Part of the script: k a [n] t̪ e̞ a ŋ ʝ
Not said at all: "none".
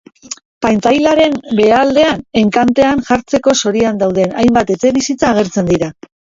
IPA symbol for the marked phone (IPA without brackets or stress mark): n